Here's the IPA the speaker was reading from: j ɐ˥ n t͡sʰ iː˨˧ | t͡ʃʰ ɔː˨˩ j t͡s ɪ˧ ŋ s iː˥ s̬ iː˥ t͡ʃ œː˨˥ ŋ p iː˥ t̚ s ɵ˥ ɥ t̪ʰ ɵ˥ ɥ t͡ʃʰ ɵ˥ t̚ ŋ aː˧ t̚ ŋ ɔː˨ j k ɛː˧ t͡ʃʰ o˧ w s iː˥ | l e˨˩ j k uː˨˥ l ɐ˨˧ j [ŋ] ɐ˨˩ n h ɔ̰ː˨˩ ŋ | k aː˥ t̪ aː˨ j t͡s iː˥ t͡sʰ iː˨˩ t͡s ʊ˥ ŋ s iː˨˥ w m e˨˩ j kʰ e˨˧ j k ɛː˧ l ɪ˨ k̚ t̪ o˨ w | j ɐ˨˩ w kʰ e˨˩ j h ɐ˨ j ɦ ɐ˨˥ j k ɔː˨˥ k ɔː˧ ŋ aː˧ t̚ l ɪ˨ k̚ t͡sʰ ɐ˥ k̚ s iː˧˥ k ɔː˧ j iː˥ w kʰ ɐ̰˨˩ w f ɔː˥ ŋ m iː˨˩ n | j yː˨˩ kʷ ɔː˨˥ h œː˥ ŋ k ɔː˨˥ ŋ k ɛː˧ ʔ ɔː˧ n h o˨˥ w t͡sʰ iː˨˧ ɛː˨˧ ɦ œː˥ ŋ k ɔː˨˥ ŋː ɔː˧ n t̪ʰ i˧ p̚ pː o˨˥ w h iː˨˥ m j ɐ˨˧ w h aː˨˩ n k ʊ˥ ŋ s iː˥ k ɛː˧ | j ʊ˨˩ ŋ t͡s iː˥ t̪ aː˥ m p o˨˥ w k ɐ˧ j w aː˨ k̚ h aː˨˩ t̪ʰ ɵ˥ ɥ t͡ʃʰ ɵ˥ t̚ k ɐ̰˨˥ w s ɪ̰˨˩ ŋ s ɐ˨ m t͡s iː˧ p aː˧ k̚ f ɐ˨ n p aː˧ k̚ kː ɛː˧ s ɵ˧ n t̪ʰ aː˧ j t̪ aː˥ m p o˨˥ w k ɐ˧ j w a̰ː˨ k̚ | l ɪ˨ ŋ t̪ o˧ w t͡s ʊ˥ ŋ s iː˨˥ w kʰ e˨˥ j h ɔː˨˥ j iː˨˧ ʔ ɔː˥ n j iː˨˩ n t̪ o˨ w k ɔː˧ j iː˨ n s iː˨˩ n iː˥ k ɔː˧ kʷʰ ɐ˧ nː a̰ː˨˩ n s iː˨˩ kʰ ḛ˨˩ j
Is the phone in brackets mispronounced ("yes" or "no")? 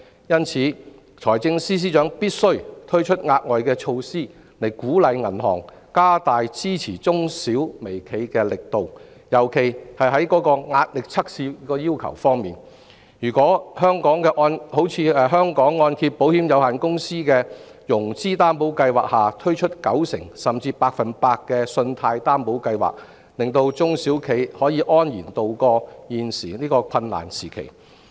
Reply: no